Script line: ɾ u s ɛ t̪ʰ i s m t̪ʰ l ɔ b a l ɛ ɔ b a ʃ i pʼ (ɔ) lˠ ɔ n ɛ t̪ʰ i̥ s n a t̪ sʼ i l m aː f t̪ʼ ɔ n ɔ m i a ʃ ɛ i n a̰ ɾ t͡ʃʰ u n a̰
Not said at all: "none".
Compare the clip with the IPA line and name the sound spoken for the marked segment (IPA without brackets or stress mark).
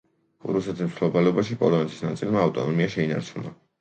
ɔ